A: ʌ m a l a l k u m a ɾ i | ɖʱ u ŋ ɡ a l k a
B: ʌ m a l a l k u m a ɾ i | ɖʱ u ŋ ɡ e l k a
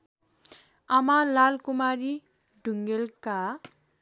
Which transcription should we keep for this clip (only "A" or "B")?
B